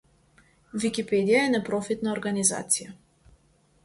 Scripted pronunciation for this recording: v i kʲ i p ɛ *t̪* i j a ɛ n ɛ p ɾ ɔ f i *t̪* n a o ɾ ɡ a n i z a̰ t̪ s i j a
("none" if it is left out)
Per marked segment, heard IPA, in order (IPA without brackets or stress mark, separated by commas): d̪, t̪